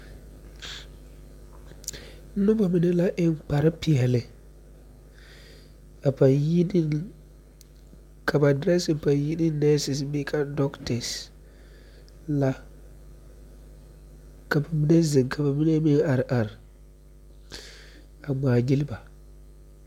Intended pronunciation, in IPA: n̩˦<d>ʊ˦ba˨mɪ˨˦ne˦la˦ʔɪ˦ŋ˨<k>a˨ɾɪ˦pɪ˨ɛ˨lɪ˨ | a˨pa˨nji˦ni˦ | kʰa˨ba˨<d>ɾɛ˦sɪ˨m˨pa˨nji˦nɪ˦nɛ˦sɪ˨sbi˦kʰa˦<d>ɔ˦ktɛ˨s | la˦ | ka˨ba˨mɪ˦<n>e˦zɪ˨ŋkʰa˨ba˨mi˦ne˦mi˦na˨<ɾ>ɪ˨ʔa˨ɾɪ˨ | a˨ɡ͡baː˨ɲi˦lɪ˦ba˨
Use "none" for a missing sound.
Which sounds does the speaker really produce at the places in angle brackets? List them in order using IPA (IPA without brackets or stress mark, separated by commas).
n, k͡p, d, d, n, ɾ